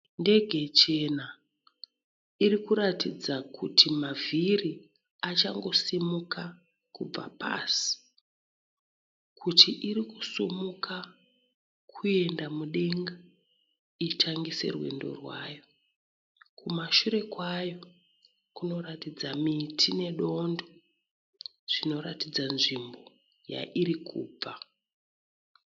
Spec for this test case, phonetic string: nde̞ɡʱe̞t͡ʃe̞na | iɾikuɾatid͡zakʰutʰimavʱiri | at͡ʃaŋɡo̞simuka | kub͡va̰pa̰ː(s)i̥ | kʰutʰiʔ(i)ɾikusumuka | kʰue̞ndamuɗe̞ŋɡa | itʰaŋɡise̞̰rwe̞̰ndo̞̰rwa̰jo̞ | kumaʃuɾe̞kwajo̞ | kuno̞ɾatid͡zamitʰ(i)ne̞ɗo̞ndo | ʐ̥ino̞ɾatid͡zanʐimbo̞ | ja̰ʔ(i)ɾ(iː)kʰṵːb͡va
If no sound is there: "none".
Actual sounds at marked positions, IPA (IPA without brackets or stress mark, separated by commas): s, i, i, i, i